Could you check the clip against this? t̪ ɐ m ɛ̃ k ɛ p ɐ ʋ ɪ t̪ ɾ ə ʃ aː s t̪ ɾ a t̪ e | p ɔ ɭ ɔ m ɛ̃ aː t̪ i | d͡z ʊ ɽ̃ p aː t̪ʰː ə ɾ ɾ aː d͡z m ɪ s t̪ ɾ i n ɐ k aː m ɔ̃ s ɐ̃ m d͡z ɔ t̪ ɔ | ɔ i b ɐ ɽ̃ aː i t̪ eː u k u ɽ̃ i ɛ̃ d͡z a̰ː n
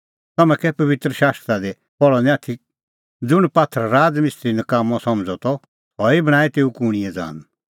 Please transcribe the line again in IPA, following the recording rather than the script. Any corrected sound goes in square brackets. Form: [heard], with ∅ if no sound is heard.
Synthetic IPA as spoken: t̪ ɐ m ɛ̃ k ɛ p ɐ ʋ ɪ t̪ ɾ ə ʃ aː s t̪ ɾ a [d̪] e | p ɔ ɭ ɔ [n] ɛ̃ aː [t̪ʰ] i | d͡z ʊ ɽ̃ p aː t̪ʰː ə ɾ ɾ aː d͡z m ɪ s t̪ ɾ i n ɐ k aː m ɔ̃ s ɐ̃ m d͡z ɔ t̪ ɔ | ɔ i b ɐ ɽ̃ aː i t̪ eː u k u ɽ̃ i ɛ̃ d͡z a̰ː n